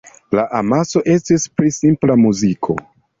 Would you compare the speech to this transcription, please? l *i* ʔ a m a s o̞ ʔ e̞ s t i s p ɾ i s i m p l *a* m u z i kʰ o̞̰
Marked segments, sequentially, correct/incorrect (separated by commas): incorrect, correct